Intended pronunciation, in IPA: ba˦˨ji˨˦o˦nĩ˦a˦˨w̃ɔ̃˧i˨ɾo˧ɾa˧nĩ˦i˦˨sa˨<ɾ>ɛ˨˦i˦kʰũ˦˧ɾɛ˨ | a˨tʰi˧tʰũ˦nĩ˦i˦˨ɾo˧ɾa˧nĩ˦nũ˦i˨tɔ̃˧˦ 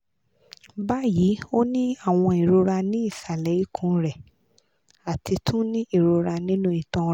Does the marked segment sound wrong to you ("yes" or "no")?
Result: yes